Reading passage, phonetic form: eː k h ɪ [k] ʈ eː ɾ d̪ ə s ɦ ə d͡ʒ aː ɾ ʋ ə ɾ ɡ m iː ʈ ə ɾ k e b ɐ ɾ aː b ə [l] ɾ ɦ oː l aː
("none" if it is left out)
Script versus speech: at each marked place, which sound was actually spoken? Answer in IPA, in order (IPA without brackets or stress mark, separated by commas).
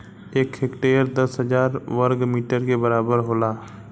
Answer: k, none